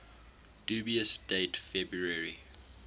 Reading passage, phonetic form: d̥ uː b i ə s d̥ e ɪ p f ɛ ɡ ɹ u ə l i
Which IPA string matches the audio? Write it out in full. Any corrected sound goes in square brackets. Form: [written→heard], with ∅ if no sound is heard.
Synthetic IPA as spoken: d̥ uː b i ə s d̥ e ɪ [p→t] f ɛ [ɡ→b] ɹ u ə [l→ɹ] i